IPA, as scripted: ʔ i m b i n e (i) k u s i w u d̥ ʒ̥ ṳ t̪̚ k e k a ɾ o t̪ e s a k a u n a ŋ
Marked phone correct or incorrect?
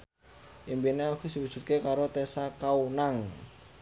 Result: incorrect